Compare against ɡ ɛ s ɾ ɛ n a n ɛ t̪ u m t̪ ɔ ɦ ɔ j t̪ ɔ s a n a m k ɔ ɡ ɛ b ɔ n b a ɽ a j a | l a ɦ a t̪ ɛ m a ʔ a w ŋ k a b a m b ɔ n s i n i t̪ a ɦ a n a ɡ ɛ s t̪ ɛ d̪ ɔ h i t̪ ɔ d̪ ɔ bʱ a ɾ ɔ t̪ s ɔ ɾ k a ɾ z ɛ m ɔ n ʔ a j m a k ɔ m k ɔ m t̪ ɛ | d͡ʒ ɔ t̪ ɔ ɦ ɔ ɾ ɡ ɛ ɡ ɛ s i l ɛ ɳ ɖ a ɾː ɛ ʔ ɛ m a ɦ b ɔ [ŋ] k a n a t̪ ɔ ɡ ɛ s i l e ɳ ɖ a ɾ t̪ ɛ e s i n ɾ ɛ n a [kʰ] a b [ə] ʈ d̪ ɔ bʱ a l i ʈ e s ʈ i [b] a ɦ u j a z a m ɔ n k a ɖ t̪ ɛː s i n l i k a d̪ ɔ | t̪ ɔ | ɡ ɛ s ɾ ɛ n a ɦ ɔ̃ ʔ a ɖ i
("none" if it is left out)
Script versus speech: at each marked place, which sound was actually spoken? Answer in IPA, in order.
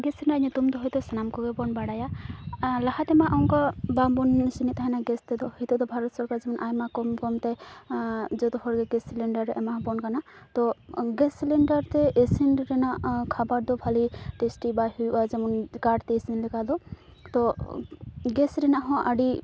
n, kʰ, a, b

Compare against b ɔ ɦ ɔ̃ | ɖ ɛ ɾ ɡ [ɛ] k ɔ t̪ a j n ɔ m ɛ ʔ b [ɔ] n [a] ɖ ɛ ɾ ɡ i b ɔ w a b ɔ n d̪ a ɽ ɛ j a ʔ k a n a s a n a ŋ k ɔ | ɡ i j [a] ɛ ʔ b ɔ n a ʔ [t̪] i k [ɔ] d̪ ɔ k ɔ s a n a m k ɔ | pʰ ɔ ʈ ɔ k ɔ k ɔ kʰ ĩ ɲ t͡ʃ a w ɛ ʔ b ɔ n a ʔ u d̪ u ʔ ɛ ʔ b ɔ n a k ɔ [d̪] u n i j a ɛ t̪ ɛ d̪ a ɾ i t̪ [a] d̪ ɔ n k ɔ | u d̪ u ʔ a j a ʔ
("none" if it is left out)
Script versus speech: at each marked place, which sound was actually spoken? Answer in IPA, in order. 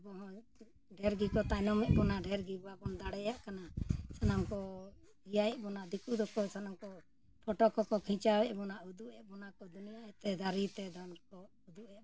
i, ɔ, a, a, d̪, u, d̪, ɛ

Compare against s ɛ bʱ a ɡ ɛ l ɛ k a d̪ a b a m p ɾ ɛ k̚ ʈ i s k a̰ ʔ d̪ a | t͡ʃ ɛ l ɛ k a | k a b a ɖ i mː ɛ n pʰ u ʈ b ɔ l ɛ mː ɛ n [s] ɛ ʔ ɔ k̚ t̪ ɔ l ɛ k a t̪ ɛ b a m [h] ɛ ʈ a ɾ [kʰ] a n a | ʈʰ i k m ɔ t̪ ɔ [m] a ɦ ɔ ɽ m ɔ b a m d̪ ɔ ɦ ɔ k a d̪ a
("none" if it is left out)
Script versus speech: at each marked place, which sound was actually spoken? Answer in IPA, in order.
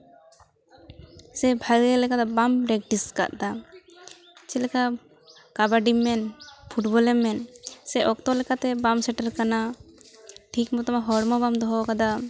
s, s, k, m

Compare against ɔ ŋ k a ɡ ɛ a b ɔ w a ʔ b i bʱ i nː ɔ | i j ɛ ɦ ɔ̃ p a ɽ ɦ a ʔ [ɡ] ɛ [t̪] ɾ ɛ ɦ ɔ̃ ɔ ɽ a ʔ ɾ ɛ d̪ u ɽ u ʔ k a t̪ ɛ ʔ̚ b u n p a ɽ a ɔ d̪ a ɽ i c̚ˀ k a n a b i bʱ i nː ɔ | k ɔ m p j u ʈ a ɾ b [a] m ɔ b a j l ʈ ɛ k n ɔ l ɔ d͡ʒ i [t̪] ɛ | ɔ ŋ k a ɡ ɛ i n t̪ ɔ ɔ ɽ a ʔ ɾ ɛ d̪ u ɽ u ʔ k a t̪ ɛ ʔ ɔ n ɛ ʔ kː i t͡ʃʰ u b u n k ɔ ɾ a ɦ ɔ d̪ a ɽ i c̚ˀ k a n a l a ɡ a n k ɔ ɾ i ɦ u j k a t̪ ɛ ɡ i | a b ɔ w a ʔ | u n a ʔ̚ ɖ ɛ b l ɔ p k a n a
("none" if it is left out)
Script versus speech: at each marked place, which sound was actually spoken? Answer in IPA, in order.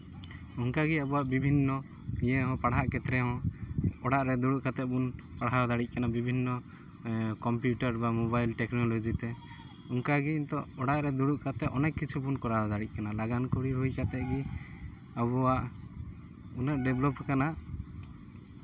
k, t̪, a, t̪

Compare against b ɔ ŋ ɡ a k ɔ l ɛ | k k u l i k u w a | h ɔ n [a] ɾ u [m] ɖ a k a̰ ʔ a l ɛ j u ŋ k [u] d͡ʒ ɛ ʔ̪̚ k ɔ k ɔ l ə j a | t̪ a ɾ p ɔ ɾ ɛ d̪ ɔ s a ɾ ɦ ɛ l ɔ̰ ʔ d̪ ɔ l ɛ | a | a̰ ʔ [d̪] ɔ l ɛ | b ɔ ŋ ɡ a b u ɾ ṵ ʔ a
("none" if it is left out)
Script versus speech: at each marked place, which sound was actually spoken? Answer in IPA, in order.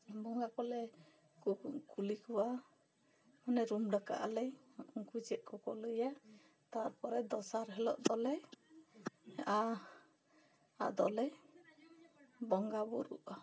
ɛ, m, u, d̪

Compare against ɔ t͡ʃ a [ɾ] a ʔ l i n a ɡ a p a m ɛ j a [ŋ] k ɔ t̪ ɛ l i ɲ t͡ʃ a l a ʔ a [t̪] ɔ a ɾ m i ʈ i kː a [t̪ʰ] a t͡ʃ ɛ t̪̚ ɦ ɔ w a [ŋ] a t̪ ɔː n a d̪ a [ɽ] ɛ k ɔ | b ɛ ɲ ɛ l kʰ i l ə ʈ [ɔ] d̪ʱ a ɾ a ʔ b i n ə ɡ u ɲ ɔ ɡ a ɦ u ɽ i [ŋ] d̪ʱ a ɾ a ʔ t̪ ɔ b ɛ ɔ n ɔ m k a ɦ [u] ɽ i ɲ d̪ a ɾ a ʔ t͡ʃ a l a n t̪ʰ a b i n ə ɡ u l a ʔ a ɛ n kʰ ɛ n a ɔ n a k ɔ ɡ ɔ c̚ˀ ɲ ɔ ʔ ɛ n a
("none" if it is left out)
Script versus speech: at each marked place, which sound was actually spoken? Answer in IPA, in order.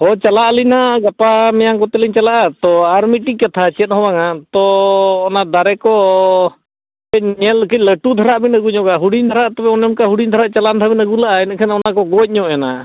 l, ŋ, t̪, t̪ʰ, ŋ, ɾ, u, ɲ, u

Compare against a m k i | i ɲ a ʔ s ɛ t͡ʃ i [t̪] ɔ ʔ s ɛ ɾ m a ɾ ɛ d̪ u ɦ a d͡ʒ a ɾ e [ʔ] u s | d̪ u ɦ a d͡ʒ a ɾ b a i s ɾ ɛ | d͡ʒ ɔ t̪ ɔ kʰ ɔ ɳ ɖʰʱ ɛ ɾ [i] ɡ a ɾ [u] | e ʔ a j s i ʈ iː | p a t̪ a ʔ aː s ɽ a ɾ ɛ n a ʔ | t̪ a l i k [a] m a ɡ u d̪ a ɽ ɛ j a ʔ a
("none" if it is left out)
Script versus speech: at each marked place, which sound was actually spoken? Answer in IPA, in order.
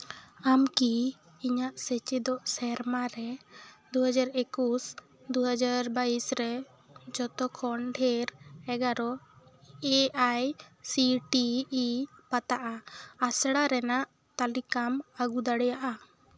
d̪, k, ɛ, ɔ, a

